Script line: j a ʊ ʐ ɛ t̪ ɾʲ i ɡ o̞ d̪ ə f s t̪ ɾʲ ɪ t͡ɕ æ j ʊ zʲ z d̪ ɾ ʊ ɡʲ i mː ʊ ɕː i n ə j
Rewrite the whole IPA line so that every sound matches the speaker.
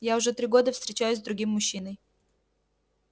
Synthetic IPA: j a ʊ ʐ ɛ t̪ ɾʲ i ɡ o̞ d̪ ə f s t̪ ɾʲ ɪ t͡ɕ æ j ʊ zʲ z d̪ ɾ ʊ ɡʲ i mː ʊ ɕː i n ə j